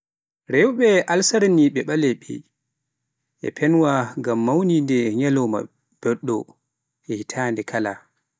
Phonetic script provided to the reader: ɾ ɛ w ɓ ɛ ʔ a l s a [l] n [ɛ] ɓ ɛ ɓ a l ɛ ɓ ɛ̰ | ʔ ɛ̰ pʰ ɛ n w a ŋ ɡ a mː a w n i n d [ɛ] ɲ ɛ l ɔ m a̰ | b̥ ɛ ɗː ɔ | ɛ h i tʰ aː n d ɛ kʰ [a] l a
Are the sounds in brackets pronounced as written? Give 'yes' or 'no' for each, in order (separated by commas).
no, no, yes, yes